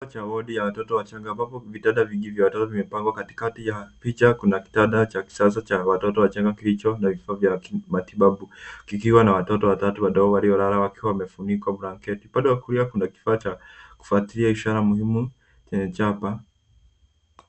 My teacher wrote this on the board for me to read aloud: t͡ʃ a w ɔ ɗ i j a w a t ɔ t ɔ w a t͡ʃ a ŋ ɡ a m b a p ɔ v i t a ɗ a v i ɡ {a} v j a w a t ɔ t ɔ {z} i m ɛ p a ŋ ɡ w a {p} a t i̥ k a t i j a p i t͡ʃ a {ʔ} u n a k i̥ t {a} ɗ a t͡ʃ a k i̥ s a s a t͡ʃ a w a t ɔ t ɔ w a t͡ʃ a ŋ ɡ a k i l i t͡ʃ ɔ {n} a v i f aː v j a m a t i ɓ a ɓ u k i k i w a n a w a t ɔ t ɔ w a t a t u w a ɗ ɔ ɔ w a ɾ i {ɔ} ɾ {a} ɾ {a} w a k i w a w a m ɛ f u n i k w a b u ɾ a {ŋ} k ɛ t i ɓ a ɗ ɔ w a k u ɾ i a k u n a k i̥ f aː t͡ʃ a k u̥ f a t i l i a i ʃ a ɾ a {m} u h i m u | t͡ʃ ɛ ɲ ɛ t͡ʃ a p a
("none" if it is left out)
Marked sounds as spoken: i, v, k, k, a, n, ɔ, a, a, ŋ, m

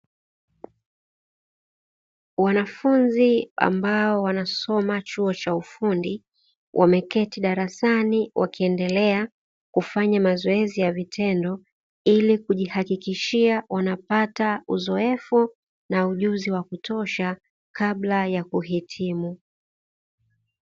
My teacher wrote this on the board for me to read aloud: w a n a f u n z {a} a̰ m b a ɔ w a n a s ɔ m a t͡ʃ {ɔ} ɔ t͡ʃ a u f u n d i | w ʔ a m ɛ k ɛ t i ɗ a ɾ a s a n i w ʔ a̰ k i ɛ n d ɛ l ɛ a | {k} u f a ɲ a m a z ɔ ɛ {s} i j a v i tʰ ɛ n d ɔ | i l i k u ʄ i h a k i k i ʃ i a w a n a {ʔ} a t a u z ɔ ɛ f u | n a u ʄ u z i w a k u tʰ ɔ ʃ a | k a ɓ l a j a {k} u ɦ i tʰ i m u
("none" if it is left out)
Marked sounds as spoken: i, u, k, z, p, k

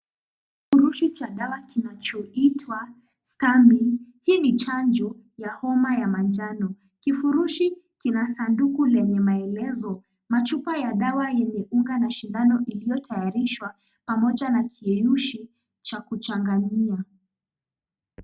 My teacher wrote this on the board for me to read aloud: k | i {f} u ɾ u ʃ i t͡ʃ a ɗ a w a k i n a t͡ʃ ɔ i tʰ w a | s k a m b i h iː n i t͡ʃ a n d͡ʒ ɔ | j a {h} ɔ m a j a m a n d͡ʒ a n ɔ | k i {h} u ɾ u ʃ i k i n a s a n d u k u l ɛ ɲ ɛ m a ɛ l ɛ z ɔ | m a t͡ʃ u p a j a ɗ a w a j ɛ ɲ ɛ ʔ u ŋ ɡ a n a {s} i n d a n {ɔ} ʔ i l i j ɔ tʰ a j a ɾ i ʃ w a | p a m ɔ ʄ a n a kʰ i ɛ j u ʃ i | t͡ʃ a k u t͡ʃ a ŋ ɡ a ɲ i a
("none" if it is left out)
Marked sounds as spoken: f, h, f, ʃ, ɔ

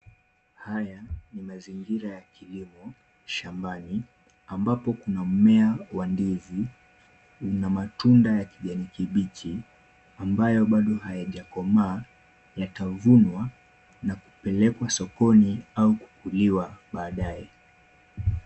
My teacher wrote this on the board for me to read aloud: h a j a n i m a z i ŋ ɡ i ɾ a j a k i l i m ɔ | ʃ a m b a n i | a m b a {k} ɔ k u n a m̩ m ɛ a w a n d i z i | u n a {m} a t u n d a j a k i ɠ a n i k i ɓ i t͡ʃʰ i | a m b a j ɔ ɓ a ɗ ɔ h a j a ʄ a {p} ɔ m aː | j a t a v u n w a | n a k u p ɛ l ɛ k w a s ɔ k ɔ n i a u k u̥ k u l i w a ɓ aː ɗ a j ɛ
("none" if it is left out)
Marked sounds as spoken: p, m, k

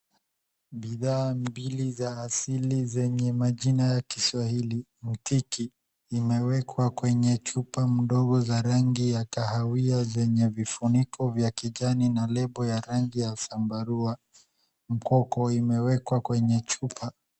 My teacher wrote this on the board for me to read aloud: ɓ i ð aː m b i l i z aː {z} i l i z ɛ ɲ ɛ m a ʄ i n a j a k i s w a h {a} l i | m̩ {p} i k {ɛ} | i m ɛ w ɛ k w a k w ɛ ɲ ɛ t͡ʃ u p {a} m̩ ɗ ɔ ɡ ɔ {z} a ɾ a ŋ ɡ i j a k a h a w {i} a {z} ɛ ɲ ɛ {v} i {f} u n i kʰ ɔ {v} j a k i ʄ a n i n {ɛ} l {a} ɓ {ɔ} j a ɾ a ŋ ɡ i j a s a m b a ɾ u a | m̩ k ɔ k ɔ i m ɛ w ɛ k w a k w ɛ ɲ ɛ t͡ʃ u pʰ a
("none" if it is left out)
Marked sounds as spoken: s, i, t, i, a, z, i, z, v, f, v, a, ɛ, ɔ

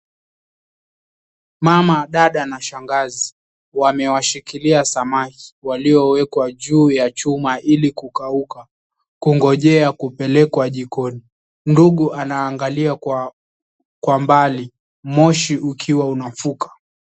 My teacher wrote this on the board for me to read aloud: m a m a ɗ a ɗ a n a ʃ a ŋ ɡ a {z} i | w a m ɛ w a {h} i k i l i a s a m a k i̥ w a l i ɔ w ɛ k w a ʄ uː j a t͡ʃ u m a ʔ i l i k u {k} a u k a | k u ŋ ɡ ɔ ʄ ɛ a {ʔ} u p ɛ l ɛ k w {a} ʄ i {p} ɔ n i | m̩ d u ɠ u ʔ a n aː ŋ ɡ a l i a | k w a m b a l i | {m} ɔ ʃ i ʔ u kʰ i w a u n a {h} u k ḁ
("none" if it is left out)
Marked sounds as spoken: z, ʃ, k, k, a, k, m, f

